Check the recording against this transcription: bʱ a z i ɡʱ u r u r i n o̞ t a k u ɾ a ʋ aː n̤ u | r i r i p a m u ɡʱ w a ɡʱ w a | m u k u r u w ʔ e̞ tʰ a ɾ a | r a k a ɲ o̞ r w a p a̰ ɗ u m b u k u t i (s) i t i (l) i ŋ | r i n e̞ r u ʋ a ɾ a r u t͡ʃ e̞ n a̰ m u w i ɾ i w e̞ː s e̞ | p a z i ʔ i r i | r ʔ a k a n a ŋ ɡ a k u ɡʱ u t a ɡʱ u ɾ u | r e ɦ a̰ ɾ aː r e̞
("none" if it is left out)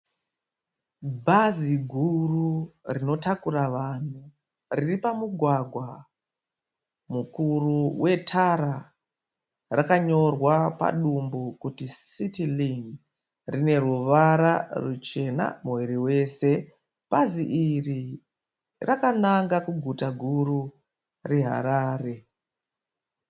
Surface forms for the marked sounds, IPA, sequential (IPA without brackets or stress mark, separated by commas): s, l